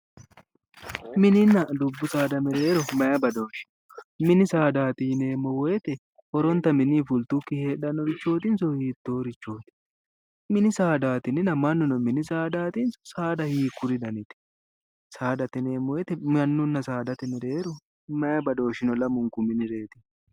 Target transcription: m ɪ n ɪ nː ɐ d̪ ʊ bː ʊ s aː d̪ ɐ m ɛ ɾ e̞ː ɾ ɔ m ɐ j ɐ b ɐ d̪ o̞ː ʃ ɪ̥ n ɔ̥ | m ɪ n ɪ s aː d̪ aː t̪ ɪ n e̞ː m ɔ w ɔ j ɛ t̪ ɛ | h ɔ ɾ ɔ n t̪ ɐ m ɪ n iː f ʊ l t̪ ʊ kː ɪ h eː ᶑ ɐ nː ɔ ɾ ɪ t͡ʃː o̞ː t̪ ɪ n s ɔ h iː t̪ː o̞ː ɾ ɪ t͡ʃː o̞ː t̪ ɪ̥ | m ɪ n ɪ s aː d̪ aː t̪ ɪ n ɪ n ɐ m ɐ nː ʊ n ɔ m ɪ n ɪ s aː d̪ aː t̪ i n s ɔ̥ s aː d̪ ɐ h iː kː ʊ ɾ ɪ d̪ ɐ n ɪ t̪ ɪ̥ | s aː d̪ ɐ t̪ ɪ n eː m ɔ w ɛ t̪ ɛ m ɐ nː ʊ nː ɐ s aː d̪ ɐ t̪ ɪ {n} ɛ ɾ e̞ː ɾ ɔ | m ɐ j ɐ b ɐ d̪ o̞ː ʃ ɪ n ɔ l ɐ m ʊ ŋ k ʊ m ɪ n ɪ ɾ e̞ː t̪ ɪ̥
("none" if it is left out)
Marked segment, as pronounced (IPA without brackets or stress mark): m